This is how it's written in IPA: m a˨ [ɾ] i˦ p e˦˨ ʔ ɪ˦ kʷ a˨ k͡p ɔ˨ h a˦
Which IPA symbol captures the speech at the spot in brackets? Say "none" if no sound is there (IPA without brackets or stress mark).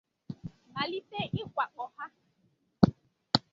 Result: l